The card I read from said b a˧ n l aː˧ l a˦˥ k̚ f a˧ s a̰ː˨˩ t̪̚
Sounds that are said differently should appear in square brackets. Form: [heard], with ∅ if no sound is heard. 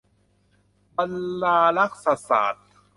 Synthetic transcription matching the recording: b a˧ n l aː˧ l a˦˥ k̚ [s] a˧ s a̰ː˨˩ t̪̚